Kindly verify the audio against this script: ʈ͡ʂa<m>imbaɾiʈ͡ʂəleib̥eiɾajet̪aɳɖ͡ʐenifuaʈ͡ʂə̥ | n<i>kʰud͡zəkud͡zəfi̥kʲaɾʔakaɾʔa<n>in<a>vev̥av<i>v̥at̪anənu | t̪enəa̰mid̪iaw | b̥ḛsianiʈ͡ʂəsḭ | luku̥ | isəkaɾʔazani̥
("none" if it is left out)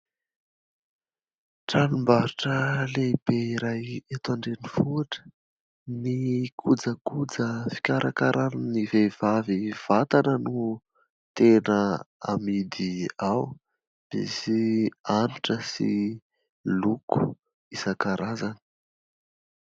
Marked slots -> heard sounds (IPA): n, i, n, i, i

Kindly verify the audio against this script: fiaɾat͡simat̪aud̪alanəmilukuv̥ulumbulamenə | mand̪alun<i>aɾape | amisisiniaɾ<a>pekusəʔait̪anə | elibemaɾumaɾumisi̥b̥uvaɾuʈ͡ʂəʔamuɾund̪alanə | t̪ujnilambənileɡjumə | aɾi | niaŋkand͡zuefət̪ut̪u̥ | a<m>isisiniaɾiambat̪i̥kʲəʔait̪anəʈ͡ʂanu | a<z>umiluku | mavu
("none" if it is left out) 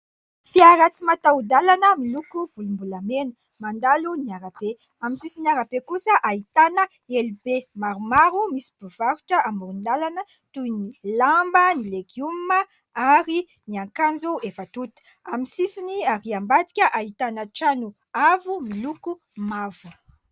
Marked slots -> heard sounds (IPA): i, a, m, v

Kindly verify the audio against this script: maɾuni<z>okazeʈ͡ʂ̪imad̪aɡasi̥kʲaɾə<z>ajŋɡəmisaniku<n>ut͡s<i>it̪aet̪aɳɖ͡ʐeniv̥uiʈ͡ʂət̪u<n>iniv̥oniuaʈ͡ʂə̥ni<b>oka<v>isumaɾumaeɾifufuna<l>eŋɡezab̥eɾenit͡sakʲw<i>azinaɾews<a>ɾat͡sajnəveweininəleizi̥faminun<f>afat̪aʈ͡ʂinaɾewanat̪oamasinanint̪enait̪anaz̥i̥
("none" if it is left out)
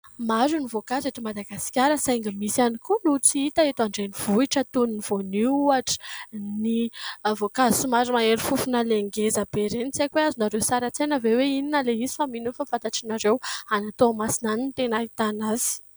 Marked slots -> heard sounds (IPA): v, s, n, i, n, v, z, l, e, a, f

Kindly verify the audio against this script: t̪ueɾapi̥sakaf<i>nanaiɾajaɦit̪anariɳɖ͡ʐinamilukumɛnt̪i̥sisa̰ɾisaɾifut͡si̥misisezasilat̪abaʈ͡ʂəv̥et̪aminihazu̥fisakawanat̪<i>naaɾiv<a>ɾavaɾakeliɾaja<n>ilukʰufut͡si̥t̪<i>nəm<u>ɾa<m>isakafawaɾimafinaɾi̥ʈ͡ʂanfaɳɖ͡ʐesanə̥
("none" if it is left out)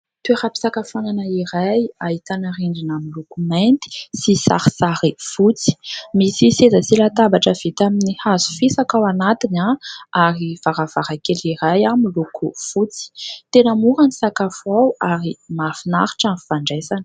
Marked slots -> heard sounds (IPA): a, i, a, m, e, u, n

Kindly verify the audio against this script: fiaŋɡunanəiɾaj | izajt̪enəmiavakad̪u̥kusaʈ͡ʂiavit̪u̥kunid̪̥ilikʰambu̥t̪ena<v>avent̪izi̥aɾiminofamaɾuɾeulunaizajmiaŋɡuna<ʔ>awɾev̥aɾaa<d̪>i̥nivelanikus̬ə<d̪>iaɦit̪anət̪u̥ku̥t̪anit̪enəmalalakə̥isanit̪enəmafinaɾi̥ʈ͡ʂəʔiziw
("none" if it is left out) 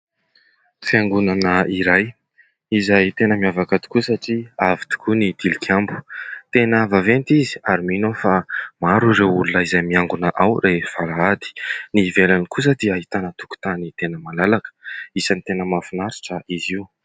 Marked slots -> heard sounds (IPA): v, ʔ, d̪, d̪

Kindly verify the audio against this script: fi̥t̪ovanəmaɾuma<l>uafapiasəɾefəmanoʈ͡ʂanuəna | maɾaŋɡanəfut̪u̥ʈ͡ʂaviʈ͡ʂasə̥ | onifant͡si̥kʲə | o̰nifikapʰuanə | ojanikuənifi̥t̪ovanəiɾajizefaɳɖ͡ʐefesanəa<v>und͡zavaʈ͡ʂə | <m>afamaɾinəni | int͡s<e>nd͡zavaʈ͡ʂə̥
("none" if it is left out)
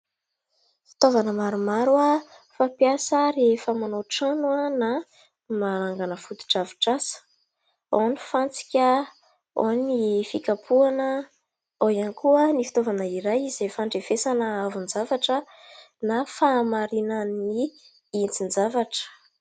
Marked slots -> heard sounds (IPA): ɾ, v, n, i

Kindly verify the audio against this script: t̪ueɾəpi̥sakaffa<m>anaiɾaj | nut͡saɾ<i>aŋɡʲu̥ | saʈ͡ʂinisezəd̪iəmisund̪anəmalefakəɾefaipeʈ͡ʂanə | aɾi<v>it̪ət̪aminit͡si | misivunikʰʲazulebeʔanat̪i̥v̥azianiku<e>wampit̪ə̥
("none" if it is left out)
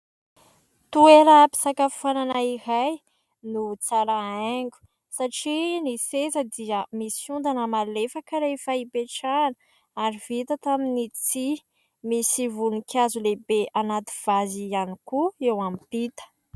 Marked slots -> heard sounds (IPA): n, a, v, e

